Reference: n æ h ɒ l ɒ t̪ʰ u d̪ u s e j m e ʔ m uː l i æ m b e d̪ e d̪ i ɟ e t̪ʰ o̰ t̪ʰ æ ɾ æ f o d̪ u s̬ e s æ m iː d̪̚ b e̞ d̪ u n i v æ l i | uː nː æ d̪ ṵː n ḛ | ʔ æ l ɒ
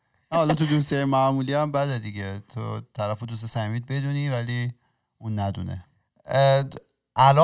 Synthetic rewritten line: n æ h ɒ l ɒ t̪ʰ u d̪ u s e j m æ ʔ m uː l i æ m b æ d̪ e d̪ i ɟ e t̪ʰ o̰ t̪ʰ æ ɾ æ f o d̪ u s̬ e s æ m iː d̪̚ b e̞ d̪ u n i v æ l i | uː nː æ d̪ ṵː n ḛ | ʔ æ l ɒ